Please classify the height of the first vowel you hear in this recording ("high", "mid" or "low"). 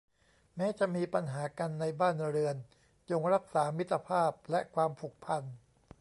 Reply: mid